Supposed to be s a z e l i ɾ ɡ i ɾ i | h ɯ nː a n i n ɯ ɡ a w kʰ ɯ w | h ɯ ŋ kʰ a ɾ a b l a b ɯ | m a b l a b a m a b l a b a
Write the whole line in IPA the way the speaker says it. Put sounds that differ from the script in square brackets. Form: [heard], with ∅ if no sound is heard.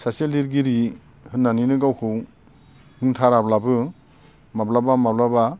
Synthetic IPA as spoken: s a [s] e l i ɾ ɡ i ɾ i | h ɯ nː a n i n ɯ ɡ a w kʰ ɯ w | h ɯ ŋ [tʰ] a ɾ a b l a b ɯ | m a b l a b a m a b l a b a